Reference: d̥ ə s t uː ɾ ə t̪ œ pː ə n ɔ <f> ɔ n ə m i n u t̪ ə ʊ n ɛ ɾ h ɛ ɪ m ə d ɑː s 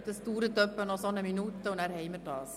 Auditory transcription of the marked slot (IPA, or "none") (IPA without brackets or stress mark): s